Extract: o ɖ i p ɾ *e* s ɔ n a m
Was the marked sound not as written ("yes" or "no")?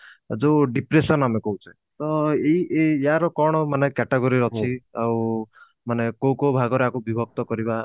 no